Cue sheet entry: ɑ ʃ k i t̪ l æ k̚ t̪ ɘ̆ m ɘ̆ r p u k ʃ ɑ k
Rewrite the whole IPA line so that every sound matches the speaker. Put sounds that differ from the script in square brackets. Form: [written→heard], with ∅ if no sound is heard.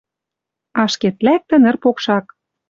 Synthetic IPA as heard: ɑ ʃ k [i→e] t̪ l æ k̚ t̪ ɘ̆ [m→n] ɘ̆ r p [u→o] k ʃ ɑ k

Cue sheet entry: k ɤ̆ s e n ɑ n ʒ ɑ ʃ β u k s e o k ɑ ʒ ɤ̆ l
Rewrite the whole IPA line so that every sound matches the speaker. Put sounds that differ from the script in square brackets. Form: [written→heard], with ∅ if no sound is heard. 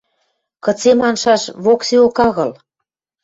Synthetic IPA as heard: k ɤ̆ [s→t͡s] e [n→m] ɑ n [ʒ→ʃ] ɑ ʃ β [u→o] k s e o k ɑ [ʒ→ɣ] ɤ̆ l

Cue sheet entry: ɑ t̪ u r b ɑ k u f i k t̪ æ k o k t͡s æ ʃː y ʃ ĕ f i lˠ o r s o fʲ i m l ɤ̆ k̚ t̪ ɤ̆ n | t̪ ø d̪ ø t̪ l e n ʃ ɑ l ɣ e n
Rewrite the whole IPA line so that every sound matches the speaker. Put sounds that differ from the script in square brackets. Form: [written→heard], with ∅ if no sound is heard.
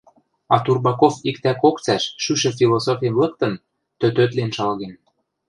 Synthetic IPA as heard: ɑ t̪ u r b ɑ k [u→o] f i k t̪ æ k o k t͡s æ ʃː y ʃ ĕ f i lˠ o [r→∅] s o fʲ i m l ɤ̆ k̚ t̪ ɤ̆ n | t̪ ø [d̪→t̪] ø t̪ l e n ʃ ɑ l ɣ e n

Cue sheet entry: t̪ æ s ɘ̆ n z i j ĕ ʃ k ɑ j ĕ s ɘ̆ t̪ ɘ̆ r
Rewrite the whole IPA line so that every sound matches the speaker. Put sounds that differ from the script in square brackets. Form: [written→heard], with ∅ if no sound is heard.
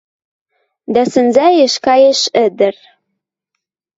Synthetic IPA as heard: [t̪→d̪] æ s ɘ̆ n z [i→æ] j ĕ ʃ k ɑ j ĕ [s→ʃ] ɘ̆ [t̪→d̪] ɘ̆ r

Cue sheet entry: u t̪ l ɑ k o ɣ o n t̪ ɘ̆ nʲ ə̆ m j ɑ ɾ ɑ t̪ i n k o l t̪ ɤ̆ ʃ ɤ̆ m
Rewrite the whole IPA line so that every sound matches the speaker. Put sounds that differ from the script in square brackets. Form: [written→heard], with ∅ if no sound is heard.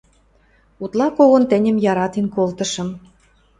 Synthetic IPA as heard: u t̪ l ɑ k o ɣ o n t̪ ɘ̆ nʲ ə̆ m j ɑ ɾ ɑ t̪ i n k o l t̪ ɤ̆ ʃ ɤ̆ m

